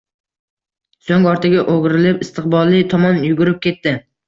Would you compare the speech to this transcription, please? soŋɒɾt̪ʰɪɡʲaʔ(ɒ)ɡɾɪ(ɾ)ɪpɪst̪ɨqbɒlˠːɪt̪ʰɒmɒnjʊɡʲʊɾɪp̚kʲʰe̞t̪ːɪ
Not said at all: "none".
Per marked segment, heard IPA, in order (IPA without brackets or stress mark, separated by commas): o, l